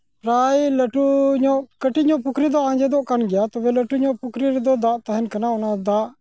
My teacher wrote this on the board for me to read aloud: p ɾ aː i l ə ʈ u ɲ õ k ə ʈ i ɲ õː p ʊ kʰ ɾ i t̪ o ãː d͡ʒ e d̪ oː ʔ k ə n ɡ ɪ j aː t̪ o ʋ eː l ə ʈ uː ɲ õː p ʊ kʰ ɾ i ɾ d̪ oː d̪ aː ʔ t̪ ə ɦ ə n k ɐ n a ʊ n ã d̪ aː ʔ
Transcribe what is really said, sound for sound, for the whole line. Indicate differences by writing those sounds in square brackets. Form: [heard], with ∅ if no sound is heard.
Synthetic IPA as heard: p ɾ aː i l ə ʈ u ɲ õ k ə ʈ i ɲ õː p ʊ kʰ ɾ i [d̪] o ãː d͡ʒ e d̪ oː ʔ k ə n ɡ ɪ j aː t̪ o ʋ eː l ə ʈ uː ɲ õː p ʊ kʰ ɾ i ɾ d̪ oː d̪ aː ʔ t̪ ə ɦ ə n k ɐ n a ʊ n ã d̪ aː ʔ